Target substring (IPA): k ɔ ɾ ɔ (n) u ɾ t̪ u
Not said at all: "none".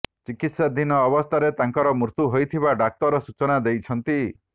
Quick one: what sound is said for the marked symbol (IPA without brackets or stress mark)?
m